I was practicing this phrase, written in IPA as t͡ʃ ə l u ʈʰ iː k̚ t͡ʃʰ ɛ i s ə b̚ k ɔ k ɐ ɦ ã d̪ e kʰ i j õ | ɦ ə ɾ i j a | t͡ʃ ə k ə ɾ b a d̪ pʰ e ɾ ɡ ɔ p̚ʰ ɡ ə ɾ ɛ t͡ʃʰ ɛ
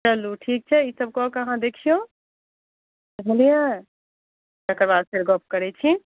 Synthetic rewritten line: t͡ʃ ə l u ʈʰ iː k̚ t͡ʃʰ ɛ i s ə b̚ k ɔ k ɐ ɦ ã d̪ e kʰ i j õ | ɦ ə l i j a | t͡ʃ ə k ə ɾ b a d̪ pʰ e ɾ ɡ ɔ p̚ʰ k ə ɾ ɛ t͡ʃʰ i